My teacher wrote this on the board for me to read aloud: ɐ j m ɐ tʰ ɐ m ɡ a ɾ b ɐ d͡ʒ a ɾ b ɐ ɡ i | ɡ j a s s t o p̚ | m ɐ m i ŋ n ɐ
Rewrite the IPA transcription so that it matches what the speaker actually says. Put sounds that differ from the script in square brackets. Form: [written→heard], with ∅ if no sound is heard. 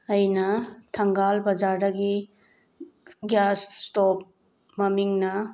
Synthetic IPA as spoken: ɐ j [m→n] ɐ tʰ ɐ [m→ŋ] ɡ a [ɾ→l] b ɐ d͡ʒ a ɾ [b→d] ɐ ɡ i | ɡ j a s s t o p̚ | m ɐ m i ŋ n ɐ

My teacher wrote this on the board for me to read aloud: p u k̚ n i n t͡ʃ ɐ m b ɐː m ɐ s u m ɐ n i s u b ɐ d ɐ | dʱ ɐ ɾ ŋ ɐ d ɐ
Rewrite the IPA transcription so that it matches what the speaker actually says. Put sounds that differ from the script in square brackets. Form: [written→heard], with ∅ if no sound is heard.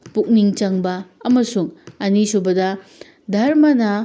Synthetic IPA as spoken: p u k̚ n i [n→ŋ] t͡ʃ ɐ [m→ŋ] b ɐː m ɐ s u [m→ŋ] ɐ n i s u b ɐ d ɐ | dʱ ɐ ɾ [ŋ→m] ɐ [d→n] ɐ

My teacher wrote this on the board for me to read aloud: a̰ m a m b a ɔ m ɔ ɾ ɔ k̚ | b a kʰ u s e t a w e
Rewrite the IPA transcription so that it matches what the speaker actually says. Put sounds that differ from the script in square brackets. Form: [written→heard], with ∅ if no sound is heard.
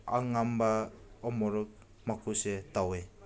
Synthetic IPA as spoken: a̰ [m→ŋ] a m b a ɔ m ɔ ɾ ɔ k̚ | [b→m] a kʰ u s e t a w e

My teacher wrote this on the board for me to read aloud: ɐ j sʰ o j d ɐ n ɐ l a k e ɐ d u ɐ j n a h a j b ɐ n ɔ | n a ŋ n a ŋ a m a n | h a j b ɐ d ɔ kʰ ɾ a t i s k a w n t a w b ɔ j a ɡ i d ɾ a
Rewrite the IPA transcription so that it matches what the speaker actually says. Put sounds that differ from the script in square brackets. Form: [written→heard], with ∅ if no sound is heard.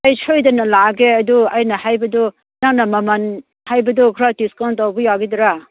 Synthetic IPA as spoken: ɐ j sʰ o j d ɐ n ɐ l a [k→ɡ] e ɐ d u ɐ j n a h a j b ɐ [n→d] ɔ | n a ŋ n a [ŋ→m] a m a n | h a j b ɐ d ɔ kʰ ɾ a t i s k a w n t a w b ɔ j a ɡ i d ɾ a

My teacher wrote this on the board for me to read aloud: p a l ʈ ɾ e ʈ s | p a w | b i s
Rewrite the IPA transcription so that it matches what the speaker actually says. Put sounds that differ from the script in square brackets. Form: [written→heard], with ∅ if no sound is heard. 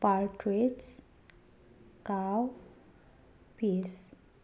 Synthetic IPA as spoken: p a [l→ɾ] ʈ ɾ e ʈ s | [p→k] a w | [b→p] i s

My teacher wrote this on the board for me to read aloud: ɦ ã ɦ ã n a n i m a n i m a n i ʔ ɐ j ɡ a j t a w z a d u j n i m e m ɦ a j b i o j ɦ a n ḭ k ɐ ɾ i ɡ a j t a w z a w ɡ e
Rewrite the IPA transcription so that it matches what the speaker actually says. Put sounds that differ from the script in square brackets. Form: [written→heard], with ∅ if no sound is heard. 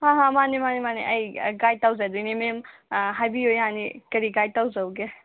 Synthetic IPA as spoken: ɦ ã ɦ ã [n→m] a n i m a n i m a n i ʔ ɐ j ɡ a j t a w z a d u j n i m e m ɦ a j b i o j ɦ a n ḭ k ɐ ɾ i ɡ a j t a w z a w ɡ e

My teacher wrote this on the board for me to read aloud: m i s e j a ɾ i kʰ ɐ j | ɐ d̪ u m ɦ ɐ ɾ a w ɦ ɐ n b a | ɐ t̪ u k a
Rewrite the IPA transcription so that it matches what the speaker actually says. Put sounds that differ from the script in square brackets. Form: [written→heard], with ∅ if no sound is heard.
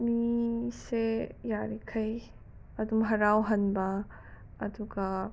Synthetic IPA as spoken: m i s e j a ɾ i kʰ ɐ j | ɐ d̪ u m ɦ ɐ ɾ a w ɦ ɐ n b a | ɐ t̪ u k a

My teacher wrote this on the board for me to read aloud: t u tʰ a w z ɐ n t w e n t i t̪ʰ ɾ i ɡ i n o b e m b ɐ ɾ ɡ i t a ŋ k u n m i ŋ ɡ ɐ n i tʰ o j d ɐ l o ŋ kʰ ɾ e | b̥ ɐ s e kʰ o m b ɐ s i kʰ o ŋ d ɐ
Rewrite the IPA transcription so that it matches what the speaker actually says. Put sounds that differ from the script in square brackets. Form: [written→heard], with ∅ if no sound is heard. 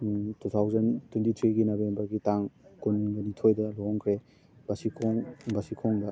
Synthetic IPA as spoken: t u tʰ a w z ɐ n t w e n t i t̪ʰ ɾ i ɡ i n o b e m b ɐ ɾ ɡ i t a ŋ k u n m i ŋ ɡ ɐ n i tʰ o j d ɐ l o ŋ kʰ ɾ e | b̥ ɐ s [e→i] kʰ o [m→ŋ] b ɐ s i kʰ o ŋ d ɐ

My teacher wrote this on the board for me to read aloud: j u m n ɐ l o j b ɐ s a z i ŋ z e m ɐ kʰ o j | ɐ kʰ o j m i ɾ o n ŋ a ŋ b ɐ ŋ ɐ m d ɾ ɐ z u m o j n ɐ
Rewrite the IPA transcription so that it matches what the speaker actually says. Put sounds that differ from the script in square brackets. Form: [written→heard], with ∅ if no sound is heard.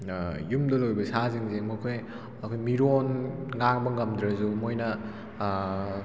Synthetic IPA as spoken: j u m [n→d] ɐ l o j b ɐ s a z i ŋ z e m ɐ kʰ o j | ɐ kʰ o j m i ɾ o n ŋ a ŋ b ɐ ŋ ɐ m d ɾ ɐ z u m o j n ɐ

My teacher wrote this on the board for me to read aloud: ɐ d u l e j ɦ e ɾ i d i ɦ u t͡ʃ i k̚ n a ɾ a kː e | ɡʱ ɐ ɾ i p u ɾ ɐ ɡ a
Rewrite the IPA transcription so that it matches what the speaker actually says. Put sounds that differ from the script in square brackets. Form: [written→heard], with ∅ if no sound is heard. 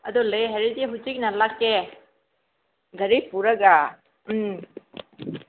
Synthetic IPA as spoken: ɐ d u l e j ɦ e ɾ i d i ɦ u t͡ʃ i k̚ n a [ɾ→l] a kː e | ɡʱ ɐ ɾ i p u ɾ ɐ ɡ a

